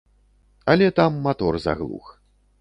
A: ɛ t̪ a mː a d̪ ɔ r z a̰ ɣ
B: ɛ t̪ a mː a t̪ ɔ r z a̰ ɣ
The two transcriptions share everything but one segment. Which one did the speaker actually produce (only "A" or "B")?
B